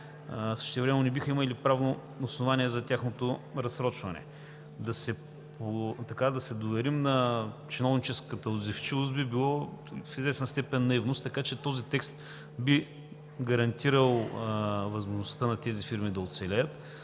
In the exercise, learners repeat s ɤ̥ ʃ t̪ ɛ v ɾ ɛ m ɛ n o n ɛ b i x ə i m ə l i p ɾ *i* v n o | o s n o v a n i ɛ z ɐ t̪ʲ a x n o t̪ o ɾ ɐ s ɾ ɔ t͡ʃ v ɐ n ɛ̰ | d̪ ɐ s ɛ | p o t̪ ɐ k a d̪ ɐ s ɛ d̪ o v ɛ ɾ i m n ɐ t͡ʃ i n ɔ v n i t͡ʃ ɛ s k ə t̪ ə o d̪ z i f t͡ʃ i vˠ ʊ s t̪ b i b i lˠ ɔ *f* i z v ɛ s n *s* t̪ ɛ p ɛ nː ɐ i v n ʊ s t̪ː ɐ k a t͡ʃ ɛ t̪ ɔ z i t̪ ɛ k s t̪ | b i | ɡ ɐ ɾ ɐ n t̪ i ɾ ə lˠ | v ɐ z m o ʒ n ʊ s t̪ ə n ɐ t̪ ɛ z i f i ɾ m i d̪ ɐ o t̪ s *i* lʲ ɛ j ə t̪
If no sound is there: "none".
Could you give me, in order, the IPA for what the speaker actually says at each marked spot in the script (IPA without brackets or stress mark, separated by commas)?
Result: a, f, s, ɛ